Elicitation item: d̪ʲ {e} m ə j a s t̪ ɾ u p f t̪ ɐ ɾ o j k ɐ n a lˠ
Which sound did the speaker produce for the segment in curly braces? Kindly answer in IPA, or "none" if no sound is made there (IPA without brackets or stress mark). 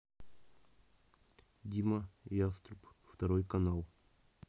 i